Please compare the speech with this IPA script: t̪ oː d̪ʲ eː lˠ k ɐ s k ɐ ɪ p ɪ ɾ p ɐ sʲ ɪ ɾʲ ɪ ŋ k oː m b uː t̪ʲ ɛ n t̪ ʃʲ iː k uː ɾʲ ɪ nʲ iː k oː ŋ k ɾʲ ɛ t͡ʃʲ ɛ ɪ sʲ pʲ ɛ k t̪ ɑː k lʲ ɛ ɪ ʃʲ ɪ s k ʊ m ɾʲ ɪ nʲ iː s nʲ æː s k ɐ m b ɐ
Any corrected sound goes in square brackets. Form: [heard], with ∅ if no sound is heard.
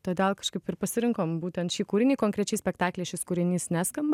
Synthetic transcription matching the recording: t̪ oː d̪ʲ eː lˠ k ɐ [ʃ] k ɐ ɪ p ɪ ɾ p ɐ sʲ ɪ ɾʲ ɪ ŋ k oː m b uː t̪ʲ ɛ n t̪ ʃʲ iː k uː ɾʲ ɪ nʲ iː k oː ŋ k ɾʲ ɛ t͡ʃʲ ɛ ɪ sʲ pʲ ɛ k t̪ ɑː k lʲ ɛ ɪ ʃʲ ɪ s k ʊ [∅] ɾʲ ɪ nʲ iː s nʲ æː s k ɐ m b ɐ